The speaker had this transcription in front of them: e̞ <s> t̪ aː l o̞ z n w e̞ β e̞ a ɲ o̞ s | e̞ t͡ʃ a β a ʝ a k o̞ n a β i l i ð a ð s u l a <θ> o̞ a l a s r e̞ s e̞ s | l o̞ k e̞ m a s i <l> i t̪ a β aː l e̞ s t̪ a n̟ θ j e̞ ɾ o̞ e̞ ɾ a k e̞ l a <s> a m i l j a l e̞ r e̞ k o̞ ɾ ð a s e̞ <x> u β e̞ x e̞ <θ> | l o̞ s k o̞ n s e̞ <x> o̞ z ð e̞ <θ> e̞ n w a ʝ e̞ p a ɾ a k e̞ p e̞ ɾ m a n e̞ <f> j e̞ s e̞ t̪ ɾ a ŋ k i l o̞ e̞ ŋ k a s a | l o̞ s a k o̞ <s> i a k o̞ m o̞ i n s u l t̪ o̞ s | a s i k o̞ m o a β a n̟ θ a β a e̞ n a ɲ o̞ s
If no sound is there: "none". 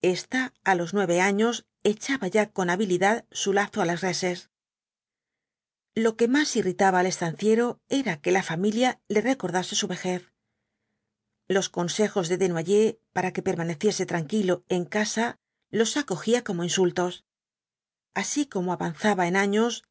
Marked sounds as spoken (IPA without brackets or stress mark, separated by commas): s, θ, r, f, s, θ, x, ð, θ, x